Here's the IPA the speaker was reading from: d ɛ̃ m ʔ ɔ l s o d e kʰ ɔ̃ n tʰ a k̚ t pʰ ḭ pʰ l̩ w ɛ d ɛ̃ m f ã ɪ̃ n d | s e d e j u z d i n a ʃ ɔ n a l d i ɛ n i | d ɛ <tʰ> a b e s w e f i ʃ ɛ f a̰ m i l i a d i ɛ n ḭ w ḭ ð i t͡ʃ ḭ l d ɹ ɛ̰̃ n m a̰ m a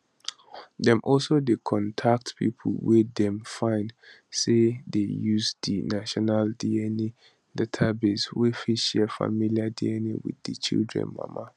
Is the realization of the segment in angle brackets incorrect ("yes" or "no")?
no